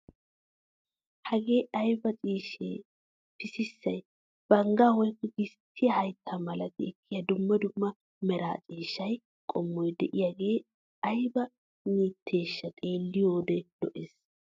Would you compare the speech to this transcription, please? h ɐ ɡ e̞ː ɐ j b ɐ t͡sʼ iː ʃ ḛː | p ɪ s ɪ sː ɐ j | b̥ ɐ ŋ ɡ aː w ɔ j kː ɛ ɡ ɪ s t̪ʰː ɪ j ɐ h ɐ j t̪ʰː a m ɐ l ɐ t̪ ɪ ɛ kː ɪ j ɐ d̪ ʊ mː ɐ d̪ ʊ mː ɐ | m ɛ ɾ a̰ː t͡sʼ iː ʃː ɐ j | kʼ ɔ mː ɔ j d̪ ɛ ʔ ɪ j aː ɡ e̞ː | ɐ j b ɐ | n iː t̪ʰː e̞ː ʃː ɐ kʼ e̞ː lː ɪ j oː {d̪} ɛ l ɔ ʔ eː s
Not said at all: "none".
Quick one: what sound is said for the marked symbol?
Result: d̪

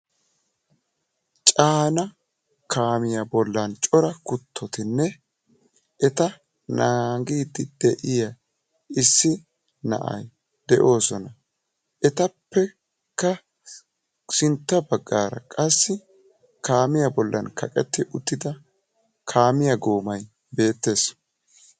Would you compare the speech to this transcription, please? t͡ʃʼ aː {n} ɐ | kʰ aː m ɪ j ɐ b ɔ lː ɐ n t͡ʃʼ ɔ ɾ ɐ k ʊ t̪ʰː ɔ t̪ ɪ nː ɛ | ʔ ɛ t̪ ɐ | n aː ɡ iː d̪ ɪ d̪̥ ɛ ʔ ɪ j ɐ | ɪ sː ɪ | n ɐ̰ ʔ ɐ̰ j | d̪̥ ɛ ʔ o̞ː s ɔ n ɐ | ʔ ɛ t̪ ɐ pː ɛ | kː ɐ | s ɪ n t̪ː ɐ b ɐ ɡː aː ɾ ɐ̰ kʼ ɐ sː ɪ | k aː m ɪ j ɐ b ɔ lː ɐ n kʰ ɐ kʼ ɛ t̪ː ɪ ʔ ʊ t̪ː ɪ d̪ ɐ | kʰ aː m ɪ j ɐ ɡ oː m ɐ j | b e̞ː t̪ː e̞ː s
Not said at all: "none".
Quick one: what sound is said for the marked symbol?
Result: n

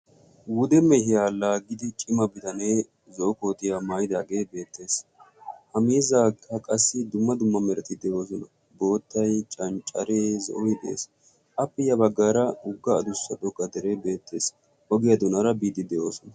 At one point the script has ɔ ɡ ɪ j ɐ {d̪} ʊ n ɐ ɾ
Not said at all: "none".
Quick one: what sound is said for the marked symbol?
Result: d̪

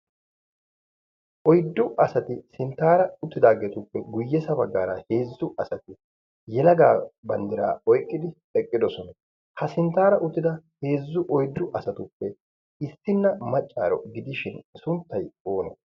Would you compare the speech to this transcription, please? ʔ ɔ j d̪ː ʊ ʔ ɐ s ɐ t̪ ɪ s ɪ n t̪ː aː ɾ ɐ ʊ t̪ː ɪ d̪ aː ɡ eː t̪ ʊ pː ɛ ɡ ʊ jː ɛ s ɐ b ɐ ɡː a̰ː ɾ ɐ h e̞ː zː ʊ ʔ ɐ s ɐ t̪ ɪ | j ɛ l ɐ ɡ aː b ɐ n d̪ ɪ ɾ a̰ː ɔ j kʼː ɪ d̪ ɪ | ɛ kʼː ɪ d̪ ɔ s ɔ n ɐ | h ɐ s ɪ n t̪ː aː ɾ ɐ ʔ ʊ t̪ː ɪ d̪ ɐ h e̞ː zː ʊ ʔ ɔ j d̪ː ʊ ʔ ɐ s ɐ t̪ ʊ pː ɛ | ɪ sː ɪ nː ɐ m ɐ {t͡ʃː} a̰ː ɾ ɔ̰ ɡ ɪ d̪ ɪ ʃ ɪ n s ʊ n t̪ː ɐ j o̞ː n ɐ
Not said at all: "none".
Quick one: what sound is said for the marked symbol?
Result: t͡ʃʼː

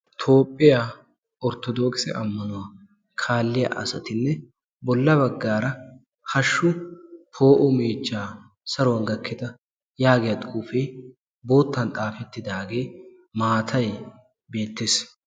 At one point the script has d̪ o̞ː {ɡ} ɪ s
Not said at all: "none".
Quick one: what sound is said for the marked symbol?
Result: k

